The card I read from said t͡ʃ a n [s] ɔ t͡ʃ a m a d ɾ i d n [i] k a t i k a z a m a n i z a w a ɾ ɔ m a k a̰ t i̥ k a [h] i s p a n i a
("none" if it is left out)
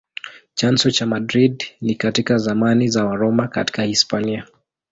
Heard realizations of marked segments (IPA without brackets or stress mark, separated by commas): s, i, h